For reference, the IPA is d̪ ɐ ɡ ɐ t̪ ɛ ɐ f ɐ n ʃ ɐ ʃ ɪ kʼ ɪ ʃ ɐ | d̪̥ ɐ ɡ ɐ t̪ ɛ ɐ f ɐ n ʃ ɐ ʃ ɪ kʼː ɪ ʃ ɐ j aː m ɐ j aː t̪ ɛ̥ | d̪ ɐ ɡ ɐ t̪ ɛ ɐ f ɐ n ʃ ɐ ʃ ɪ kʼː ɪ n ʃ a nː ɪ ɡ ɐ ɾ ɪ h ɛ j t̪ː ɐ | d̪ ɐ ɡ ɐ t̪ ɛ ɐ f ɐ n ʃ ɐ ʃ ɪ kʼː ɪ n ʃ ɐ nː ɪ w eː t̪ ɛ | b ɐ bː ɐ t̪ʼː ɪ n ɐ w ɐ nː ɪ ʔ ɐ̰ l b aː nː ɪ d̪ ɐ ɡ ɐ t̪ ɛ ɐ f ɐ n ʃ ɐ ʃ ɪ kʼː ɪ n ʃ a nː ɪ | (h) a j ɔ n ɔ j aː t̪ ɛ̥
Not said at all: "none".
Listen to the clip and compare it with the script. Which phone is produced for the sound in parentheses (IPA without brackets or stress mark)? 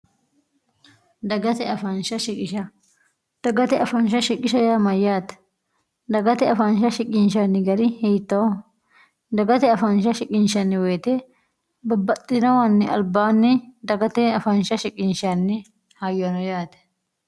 h